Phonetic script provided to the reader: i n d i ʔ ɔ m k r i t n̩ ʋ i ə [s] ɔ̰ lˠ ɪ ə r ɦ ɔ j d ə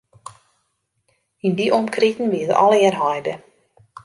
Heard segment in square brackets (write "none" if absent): t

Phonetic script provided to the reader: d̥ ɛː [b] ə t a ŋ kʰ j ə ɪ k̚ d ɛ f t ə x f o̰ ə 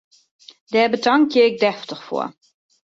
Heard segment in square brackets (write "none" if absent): b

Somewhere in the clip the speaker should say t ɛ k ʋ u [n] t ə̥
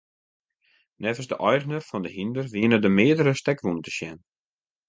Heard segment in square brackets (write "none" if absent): n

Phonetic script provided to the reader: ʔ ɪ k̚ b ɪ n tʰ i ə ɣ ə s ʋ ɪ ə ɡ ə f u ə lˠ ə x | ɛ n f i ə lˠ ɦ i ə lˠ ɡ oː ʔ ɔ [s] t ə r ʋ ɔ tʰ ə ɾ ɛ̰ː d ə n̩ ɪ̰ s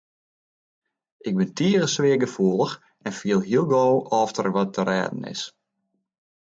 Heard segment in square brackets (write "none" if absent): f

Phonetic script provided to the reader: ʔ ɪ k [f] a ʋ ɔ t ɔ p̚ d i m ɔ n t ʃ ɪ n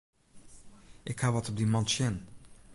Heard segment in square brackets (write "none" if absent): h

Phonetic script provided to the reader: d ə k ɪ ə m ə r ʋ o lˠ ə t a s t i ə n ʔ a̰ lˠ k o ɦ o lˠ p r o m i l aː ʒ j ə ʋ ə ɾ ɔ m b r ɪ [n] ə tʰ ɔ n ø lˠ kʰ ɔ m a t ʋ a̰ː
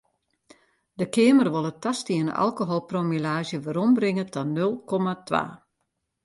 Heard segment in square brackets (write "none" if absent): ŋ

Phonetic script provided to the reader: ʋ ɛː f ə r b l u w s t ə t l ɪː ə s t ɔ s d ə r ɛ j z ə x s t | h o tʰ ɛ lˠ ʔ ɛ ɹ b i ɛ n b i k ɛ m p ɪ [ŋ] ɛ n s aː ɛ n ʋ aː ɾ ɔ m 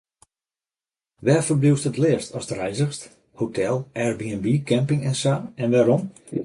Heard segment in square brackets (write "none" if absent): ŋ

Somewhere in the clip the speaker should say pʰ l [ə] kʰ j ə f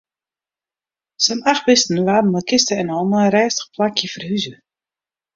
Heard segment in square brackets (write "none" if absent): a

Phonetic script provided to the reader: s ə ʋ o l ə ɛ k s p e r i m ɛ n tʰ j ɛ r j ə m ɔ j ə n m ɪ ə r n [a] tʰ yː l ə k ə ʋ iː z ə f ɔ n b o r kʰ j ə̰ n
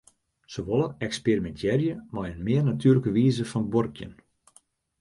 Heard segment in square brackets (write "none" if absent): a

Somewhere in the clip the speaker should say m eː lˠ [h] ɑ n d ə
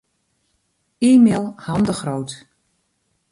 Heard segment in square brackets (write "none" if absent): h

